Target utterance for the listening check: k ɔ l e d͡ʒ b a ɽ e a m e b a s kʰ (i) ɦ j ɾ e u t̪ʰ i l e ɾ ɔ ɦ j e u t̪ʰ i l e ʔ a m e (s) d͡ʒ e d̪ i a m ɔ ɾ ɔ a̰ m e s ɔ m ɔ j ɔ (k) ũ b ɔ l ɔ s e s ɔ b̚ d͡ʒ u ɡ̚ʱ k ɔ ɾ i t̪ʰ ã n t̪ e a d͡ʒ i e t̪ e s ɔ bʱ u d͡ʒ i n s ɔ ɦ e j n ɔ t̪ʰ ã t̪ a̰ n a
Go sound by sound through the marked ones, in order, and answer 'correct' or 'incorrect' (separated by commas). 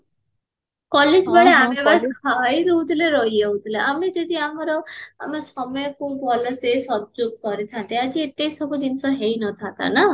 incorrect, incorrect, correct